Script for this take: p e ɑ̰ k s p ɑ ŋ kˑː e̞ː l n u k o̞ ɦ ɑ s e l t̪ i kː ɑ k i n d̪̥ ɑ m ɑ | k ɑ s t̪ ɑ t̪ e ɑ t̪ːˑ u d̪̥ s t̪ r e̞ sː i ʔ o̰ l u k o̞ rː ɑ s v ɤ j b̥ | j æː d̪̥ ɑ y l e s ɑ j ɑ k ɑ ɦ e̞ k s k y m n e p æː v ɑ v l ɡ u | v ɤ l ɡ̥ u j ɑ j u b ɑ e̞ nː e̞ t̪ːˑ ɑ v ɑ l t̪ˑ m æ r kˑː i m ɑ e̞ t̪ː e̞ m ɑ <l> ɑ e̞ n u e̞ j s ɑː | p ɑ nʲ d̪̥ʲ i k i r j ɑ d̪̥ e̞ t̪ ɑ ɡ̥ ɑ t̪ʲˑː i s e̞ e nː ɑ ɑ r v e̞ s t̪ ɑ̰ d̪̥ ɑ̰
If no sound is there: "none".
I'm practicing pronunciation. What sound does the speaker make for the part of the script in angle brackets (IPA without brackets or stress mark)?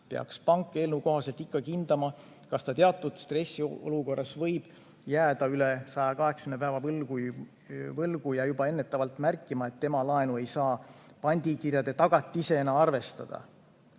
l